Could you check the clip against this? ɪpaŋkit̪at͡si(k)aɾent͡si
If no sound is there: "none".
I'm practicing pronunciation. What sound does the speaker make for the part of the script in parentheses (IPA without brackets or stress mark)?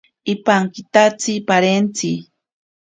p